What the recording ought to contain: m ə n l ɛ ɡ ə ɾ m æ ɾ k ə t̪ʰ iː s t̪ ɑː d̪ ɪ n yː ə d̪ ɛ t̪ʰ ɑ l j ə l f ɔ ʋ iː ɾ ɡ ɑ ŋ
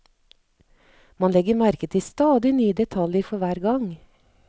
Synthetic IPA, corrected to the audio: m ɑ n l ɛ ɡ ə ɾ m æ ɾ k ə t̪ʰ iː s t̪ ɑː d̪ ɪ n yː ə d̪ ɛ t̪ʰ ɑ l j ə ɾ f ɔ ʋ æː ɾ ɡ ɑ ŋ